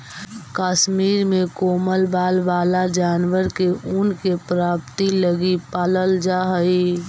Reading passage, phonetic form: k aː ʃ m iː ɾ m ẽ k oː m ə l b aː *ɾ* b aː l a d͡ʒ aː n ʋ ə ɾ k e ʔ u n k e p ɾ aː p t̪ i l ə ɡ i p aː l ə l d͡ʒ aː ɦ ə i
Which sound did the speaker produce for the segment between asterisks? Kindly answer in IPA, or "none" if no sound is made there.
l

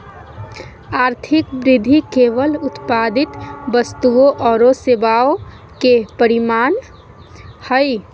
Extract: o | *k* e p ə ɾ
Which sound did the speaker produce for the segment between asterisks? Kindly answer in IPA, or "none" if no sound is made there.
k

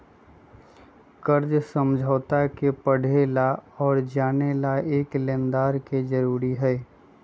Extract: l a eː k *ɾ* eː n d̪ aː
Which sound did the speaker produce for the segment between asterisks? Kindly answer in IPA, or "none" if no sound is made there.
l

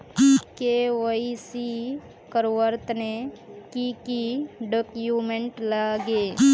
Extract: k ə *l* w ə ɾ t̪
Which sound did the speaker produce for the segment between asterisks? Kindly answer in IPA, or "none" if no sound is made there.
ɾ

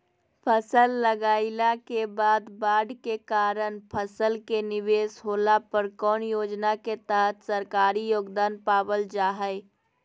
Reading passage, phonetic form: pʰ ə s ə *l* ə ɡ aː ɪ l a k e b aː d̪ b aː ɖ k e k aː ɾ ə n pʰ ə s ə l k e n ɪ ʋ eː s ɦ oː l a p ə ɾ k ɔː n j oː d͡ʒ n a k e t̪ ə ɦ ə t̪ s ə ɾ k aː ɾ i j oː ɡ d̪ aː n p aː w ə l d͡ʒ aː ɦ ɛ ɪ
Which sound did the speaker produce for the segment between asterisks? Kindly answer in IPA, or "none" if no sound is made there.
lː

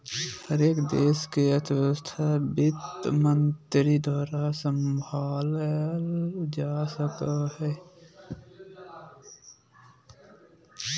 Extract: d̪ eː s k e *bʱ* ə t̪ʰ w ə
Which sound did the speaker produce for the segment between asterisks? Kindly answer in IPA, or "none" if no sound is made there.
none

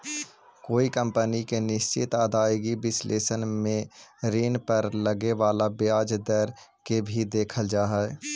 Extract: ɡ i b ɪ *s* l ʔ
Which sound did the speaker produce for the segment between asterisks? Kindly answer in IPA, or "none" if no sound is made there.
s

